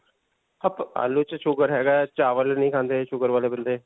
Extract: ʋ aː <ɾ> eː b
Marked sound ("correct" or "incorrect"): incorrect